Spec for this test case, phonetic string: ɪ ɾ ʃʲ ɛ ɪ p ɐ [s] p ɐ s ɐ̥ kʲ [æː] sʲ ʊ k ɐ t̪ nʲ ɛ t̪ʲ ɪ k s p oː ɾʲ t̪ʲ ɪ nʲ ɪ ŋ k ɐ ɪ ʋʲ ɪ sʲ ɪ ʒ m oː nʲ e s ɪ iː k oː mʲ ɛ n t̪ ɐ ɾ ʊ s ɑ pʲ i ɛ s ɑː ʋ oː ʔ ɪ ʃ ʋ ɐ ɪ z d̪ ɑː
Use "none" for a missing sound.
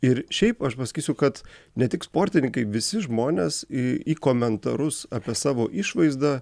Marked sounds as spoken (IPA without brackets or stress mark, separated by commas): ʃ, iː